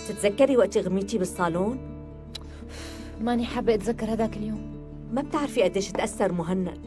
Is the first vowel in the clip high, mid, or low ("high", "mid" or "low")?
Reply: high